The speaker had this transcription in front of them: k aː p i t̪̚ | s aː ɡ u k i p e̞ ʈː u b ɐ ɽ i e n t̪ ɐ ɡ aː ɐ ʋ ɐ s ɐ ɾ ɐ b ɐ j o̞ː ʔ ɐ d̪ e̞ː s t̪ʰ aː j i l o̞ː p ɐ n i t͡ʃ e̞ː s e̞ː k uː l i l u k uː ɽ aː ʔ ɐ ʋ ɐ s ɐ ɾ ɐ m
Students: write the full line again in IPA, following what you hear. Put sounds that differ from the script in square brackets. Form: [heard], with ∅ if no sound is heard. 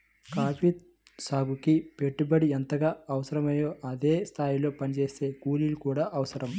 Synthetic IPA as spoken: k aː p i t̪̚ | s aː ɡ u k i p e̞ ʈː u b ɐ ɽ i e n t̪ ɐ ɡ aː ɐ ʋ ɐ s ɐ ɾ ɐ [m] ɐ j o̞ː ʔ ɐ d̪ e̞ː s t̪ʰ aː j i l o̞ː p ɐ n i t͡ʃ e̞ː s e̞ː k uː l i l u k uː ɽ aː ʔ ɐ ʋ ɐ s ɐ ɾ ɐ m